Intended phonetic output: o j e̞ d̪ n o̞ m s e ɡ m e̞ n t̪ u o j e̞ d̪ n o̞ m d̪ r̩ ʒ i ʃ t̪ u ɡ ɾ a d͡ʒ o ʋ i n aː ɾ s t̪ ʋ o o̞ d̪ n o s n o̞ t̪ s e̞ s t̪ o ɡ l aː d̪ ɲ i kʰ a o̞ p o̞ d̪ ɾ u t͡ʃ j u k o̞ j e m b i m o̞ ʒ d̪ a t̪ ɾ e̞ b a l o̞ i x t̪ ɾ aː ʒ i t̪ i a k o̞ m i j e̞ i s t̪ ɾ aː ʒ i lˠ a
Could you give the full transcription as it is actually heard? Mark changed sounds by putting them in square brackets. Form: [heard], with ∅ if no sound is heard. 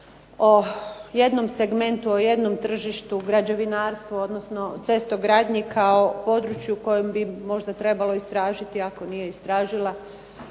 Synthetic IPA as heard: o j e̞ d̪ n o̞ m s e ɡ m e̞ n t̪ u o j e̞ d̪ n o̞ m [t̪] r̩ ʒ i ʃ t̪ u ɡ ɾ a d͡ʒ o ʋ i n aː ɾ s t̪ ʋ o o̞ d̪ n o s n o̞ t̪ s e̞ s t̪ o ɡ [ɾ] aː d̪ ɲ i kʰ a o̞ p o̞ d̪ ɾ u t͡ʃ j u k o̞ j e m b i m o̞ ʒ d̪ a t̪ ɾ e̞ b a l o̞ i [s] t̪ ɾ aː ʒ i t̪ i a k o̞ [n] i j e̞ i s t̪ ɾ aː ʒ i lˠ a